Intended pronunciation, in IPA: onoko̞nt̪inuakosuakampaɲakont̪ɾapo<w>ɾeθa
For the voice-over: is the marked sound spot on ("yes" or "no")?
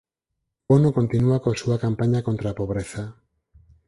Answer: no